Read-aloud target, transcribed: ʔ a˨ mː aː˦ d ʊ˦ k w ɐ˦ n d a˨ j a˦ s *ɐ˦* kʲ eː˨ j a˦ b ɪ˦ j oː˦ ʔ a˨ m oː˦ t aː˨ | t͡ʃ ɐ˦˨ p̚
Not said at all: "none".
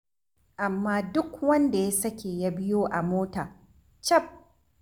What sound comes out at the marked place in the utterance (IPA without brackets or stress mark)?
ɐ˦